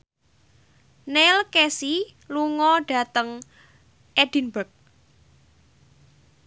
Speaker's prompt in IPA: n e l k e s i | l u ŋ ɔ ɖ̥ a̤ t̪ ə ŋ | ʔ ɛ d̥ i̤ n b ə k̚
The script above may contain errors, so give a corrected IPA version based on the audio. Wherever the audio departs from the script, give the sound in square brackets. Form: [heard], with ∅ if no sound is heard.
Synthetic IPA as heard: n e l k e s i | l u ŋ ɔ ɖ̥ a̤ t̪ ə ŋ | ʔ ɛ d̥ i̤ n b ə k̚